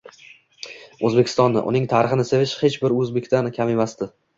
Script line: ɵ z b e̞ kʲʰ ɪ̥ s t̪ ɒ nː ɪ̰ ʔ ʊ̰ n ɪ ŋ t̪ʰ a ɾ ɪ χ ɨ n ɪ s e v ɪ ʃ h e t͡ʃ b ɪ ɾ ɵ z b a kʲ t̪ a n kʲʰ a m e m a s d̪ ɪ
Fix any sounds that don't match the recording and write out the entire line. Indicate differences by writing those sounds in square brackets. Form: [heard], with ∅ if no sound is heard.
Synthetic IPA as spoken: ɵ z b e̞ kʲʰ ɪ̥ s t̪ ɒ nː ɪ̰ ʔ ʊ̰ n ɪ ŋ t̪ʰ a ɾ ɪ χ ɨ n ɪ s e v ɪ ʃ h e t͡ʃ b ɪ ɾ ɵ z b [e] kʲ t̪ a n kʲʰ a m e m a s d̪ ɪ